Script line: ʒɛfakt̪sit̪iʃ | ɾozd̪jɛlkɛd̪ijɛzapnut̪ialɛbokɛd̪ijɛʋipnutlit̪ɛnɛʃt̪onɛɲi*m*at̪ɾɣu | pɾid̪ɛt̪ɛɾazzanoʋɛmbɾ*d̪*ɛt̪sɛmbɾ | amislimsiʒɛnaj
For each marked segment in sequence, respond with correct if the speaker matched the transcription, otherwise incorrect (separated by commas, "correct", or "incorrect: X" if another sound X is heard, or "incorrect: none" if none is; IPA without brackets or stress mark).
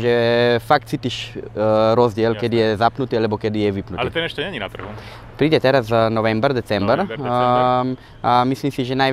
incorrect: n, correct